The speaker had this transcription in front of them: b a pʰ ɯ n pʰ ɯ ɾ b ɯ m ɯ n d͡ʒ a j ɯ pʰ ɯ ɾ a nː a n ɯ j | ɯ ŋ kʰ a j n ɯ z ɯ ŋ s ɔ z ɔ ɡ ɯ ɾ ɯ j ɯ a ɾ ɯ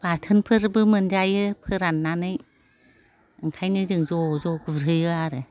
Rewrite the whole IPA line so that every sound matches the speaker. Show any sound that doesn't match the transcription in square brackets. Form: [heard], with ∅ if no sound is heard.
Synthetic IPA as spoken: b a [tʰ] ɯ n pʰ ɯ ɾ b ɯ m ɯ n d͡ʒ a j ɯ pʰ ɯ ɾ a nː a n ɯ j | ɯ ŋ kʰ a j n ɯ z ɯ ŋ [z] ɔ z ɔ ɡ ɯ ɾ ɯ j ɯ a ɾ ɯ